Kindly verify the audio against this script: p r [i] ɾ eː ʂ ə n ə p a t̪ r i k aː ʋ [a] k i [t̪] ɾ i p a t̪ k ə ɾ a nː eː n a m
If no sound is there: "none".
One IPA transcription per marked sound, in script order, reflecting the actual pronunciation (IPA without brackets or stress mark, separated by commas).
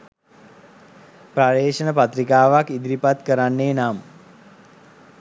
a, a, d̪